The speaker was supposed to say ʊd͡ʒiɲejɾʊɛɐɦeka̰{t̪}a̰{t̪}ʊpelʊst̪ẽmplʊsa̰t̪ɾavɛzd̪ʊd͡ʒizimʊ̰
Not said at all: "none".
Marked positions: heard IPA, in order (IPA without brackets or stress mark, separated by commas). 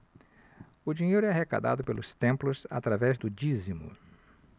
d̪, d̪